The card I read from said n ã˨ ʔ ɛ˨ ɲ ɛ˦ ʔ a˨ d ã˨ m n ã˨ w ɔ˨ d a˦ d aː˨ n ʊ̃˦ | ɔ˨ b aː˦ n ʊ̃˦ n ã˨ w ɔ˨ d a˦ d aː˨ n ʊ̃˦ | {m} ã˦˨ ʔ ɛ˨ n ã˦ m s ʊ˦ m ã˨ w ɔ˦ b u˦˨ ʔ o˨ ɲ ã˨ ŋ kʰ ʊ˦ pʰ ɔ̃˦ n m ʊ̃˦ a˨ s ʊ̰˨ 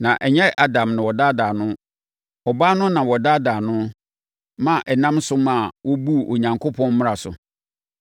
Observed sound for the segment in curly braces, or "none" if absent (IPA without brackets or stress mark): m